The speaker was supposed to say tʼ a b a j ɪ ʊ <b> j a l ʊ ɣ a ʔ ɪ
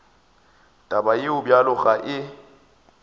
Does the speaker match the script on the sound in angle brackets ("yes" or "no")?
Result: yes